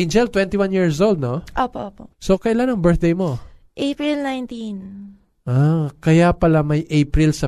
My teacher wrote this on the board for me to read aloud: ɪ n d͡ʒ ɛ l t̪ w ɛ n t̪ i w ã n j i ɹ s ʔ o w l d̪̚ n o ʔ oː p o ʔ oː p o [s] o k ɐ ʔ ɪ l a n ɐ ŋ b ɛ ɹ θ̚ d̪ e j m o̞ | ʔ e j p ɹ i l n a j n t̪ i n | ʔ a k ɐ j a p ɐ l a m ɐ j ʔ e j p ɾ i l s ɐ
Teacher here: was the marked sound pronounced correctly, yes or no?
yes